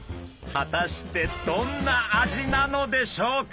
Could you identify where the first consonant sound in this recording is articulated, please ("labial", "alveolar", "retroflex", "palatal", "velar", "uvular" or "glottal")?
glottal